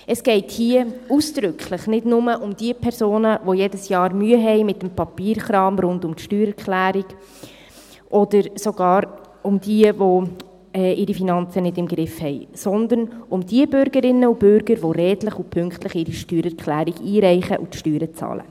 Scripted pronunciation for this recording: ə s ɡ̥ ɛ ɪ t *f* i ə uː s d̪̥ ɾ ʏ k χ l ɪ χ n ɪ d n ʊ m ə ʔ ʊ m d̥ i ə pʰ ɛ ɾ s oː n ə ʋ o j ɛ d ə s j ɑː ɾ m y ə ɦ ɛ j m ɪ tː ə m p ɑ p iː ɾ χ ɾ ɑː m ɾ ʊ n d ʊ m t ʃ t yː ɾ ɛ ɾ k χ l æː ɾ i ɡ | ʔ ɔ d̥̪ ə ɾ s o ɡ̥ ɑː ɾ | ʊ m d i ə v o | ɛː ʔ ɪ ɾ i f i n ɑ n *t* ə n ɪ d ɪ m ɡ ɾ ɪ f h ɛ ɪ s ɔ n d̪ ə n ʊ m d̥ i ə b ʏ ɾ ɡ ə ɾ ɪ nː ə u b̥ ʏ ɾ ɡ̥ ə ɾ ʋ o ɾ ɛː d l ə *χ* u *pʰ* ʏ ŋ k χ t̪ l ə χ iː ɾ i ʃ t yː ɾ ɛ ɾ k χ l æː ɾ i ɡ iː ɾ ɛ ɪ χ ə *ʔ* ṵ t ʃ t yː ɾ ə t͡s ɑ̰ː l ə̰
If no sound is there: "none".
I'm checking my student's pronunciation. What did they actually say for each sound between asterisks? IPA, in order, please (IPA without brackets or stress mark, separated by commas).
h, t͡s, χ, pʰ, ʔ